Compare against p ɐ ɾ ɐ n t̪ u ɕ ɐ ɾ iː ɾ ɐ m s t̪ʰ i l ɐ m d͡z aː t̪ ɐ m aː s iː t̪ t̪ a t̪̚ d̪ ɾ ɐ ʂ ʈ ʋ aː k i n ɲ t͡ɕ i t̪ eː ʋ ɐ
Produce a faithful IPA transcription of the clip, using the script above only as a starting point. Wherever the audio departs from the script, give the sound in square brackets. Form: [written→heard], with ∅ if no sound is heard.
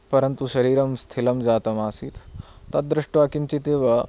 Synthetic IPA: p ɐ ɾ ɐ n t̪ u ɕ ɐ ɾ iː ɾ ɐ m s t̪ʰ i l ɐ m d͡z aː t̪ ɐ m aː s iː t̪ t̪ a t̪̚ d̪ ɾ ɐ ʂ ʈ ʋ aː k i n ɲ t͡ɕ i t̪ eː ʋ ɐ